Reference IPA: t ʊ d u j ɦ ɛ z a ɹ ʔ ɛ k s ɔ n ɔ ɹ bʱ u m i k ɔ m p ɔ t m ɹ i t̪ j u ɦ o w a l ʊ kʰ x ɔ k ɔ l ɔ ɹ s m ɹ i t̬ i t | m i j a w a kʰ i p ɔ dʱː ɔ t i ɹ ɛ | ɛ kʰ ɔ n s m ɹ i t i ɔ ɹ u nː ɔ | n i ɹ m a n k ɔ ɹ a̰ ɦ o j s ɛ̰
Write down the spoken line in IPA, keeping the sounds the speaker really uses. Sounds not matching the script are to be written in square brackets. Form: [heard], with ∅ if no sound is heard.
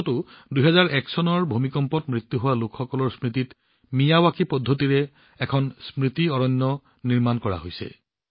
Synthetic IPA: t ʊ d u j ɦ ɛ z a ɹ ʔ ɛ k s ɔ n ɔ ɹ bʱ u m i k ɔ m p ɔ t m ɹ i t̪ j u ɦ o w a l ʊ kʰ x ɔ k ɔ l ɔ ɹ s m ɹ i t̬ i t | m i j a w a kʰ i p ɔ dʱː [o] t i ɹ ɛ | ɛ kʰ ɔ n s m ɹ i t i ɔ ɹ [ɔ] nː ɔ | n i ɹ m a n k ɔ ɹ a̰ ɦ o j s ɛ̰